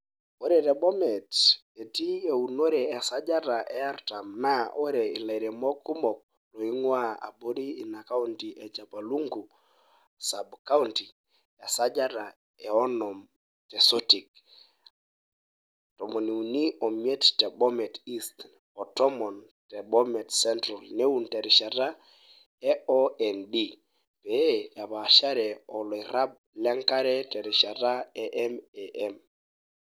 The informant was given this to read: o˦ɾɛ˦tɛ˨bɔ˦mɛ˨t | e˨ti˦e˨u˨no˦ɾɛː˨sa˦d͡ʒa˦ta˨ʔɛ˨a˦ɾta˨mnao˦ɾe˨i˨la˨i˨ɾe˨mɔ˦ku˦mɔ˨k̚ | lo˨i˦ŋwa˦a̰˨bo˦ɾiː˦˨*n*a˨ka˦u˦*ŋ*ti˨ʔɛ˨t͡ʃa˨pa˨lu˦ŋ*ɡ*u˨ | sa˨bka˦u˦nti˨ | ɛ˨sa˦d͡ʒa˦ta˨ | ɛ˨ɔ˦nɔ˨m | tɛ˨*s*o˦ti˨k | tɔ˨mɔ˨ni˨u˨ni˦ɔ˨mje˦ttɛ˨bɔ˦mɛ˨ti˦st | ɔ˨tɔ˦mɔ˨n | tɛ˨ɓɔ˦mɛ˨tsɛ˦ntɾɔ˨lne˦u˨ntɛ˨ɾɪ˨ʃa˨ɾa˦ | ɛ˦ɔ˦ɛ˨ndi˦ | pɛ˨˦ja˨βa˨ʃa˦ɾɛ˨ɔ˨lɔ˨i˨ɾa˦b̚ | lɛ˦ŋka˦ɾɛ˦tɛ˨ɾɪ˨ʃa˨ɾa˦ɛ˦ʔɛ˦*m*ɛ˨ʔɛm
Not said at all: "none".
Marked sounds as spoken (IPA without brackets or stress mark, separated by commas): n, n, ɡ, s, m